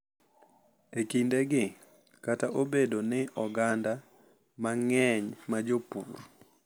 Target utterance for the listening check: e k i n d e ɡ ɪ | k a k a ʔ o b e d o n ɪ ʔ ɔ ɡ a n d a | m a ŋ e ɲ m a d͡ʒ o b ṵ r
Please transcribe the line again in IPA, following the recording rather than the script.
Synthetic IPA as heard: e k i n d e ɡ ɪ | k a t a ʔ o b e d o n ɪ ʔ ɔ ɡ a n d a | m a ŋ ɛ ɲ m a d͡ʒ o p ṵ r